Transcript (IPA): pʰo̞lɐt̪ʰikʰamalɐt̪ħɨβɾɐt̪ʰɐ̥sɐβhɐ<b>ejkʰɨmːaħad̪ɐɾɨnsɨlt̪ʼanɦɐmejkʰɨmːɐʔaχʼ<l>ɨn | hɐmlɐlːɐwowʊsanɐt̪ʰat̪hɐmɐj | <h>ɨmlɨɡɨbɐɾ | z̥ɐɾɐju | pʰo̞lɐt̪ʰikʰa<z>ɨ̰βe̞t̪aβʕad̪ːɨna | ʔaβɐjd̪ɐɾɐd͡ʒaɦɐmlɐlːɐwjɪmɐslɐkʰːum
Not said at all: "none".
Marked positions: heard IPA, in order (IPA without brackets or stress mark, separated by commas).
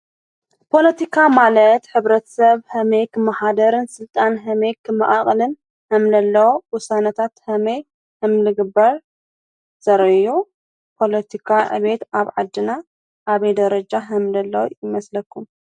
m, l, h, ʕ